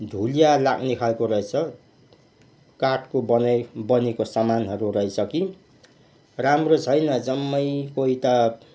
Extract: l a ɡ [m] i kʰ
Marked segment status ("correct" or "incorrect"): incorrect